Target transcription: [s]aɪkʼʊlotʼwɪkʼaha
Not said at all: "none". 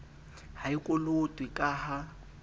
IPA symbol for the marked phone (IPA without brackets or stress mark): h